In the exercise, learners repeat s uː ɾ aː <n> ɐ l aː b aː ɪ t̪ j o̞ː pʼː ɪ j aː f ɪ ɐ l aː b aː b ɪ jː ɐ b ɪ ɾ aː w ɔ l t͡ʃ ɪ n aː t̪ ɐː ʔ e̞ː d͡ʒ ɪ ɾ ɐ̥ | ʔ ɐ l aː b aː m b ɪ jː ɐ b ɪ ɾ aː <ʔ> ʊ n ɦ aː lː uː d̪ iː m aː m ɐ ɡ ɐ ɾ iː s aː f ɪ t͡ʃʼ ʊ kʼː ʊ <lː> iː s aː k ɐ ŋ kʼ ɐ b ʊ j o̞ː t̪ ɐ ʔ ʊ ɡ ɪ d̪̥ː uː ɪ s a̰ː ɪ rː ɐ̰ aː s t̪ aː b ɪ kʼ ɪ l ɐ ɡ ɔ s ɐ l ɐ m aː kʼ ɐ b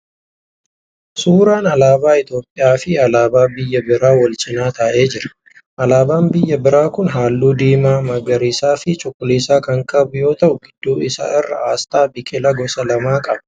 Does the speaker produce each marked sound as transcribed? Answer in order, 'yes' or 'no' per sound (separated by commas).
yes, no, no